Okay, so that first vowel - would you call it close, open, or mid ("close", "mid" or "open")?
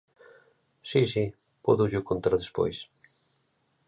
close